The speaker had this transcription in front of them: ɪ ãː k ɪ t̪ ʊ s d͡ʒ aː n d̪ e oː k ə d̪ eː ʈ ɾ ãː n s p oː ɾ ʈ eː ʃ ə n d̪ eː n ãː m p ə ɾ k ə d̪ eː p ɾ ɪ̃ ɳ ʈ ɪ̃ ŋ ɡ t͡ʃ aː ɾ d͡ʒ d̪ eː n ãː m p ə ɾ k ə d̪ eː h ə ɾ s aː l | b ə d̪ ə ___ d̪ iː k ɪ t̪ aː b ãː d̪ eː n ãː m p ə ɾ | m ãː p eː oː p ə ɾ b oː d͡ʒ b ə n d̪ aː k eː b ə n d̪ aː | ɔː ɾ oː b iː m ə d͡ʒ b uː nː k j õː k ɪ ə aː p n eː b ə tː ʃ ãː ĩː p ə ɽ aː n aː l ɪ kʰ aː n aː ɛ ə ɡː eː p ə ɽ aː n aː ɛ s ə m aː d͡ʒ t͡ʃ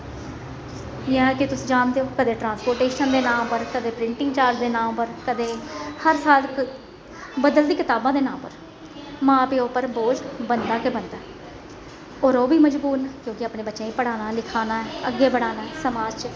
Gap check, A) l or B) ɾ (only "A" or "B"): A